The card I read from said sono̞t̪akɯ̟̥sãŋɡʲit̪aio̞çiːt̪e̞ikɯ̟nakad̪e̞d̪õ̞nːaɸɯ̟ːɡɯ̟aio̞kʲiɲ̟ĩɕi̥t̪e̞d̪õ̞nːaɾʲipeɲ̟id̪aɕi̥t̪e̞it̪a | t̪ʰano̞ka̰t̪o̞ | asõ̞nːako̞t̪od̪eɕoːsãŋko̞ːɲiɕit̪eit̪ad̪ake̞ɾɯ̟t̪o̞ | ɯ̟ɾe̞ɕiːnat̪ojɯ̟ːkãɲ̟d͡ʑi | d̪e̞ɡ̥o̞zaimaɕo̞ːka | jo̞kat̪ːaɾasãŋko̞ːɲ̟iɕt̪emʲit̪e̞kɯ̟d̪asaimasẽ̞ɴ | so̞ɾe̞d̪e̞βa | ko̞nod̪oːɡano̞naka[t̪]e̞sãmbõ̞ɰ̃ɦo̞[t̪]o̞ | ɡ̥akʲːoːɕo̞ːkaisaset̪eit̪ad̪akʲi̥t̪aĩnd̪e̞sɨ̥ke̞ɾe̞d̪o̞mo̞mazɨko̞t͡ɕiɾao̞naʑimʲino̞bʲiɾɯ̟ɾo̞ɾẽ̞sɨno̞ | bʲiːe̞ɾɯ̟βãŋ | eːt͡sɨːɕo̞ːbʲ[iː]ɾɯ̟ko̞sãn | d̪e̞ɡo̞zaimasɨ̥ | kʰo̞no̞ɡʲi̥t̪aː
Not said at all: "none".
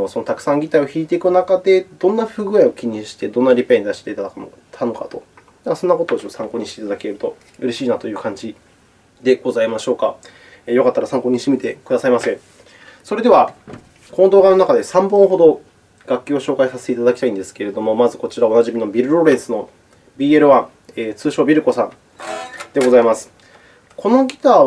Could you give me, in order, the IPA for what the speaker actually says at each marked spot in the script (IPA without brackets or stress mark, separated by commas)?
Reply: d̪, d̪, i